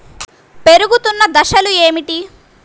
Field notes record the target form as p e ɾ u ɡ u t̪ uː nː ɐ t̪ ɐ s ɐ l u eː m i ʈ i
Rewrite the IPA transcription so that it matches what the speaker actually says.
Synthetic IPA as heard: p e ɾ u ɡ u t̪ u nː ɐ d̪ ɐ ʃ ɐ l u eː m i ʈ i